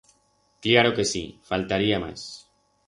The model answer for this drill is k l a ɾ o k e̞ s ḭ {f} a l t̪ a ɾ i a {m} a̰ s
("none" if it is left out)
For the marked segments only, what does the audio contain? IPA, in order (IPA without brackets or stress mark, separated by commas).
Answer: f, m